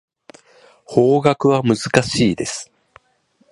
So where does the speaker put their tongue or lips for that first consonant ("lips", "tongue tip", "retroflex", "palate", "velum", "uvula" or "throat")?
throat